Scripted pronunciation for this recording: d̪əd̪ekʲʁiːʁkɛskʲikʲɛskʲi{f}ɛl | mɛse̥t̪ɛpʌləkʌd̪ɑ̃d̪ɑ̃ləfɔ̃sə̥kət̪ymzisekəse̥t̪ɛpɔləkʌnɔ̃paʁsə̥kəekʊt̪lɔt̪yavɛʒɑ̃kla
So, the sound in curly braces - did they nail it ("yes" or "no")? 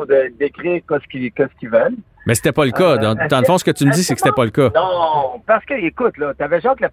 no